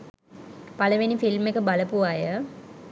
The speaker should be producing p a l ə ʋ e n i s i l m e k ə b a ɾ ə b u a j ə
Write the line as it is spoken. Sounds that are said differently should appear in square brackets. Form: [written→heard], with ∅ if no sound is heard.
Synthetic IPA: p a l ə ʋ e n i [s→f] i l m e k ə b a [ɾ→l] ə [b→p] u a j ə